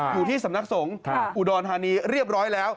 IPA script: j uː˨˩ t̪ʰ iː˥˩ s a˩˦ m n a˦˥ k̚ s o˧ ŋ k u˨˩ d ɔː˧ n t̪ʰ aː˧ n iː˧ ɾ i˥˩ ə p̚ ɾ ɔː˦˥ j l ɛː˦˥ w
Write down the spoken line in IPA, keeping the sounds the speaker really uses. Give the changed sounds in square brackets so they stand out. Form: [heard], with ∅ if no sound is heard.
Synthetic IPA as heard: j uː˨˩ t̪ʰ iː˥˩ s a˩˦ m n a˦˥ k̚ s [o˩˦] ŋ [ʔ] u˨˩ d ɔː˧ n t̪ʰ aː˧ n iː˧ ɾ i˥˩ ə p̚ ɾ ɔː˦˥ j l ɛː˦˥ w